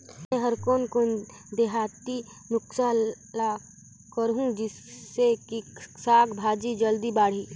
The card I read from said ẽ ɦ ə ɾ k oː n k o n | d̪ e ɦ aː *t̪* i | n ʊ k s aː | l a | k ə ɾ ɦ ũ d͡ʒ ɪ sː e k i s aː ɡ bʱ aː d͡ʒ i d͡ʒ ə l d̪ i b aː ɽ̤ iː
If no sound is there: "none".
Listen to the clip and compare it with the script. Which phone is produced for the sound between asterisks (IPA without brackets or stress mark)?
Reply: t̪